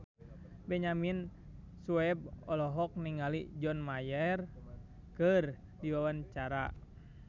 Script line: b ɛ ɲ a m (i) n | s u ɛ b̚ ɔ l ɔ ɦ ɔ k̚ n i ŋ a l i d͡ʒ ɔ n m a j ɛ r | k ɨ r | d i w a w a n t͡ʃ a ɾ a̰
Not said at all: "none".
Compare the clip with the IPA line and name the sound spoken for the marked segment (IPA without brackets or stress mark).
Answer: i